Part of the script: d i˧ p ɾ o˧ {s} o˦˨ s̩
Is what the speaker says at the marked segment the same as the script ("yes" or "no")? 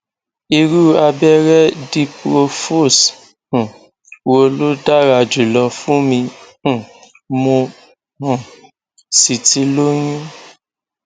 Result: no